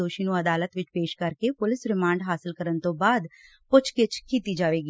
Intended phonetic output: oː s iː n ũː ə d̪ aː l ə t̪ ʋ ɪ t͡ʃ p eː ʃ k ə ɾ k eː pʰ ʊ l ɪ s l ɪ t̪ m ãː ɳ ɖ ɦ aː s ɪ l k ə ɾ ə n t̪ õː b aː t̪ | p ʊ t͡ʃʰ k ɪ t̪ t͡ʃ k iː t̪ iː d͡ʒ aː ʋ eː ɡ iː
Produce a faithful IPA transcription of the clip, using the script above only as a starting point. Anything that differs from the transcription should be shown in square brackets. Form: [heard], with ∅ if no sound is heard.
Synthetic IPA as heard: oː [ʃ] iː n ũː ə d̪ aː l ə t̪ ʋ ɪ t͡ʃ p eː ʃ k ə ɾ k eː [p] ʊ l ɪ s [ɾ] ɪ [∅] m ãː ɳ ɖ ɦ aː s ɪ l k ə ɾ ə n t̪ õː b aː [d̪] | p ʊ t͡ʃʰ k ɪ [∅] t͡ʃ k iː t̪ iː d͡ʒ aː ʋ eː ɡ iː